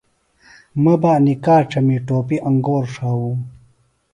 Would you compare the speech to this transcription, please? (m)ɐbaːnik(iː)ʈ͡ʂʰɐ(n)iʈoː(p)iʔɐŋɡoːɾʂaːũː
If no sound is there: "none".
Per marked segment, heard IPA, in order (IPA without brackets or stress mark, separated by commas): m, aː, m, p